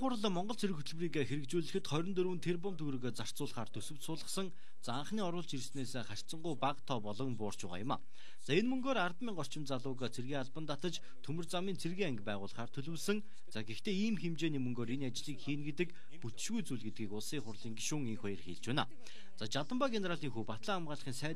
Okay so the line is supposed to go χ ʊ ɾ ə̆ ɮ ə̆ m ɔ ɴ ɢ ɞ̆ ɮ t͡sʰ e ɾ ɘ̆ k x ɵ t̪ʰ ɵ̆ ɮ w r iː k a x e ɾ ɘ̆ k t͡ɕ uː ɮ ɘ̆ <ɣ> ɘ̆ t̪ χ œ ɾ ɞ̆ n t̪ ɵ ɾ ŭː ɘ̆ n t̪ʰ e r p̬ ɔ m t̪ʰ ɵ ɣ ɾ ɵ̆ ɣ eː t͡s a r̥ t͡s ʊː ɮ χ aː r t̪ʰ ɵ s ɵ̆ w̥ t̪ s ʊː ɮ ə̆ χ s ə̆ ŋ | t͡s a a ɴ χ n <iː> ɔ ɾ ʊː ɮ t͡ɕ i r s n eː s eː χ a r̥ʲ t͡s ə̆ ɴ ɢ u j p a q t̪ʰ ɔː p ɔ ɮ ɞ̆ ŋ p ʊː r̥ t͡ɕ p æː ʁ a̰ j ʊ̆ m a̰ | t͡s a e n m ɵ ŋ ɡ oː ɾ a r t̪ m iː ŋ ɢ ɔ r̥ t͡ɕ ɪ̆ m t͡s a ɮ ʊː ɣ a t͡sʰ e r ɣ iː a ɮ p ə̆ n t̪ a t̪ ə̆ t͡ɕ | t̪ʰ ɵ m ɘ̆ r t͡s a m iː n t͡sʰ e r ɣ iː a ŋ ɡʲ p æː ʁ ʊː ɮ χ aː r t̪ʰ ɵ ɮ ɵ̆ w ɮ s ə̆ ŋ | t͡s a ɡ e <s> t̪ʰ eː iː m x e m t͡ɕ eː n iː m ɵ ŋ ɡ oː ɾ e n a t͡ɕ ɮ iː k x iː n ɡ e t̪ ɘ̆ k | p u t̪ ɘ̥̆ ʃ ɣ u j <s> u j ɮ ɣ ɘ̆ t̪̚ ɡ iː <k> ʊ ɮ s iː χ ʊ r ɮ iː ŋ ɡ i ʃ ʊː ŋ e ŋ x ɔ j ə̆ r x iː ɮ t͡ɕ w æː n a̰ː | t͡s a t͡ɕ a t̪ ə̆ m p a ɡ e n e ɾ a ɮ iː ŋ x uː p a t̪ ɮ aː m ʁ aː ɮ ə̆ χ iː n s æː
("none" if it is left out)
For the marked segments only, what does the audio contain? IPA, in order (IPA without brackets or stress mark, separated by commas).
x, iː, x, t͡s, k